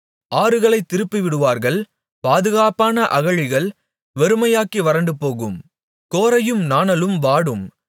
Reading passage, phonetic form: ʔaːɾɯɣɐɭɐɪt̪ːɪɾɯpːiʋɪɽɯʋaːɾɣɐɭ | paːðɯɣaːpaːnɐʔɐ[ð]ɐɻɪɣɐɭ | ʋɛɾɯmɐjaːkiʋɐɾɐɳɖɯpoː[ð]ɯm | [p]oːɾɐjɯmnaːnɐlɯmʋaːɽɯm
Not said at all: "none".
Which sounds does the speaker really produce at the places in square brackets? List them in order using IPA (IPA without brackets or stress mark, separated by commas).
ɣ, ɣ, k